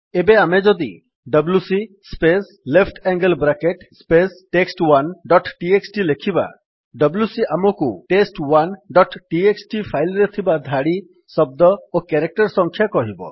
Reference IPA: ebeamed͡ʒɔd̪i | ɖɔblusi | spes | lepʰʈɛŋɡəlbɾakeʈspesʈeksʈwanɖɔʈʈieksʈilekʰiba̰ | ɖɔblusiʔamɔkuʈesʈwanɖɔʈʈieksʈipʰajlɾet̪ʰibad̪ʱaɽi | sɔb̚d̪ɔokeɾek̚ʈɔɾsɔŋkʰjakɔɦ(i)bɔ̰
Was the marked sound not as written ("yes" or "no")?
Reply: no